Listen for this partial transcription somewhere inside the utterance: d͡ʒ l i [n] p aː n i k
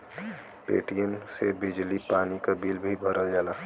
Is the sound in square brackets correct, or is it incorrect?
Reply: incorrect